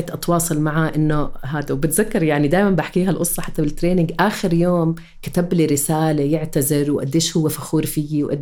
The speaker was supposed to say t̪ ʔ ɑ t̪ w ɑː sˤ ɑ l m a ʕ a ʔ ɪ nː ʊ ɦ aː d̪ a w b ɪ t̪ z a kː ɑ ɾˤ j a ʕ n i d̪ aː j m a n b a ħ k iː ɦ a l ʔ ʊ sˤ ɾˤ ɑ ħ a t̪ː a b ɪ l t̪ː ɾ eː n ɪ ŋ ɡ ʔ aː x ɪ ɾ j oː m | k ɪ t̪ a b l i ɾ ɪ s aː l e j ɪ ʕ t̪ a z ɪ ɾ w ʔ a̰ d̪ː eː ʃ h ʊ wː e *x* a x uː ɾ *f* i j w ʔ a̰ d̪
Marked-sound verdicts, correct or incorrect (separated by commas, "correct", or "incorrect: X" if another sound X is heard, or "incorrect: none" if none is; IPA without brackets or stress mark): incorrect: f, correct